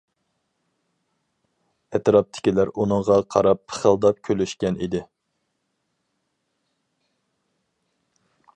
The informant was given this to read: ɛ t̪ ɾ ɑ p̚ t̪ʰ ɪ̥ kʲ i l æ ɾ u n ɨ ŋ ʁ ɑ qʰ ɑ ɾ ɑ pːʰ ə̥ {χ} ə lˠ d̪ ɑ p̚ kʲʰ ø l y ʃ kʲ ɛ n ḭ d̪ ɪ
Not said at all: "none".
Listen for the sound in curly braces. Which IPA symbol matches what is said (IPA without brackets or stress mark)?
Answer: χ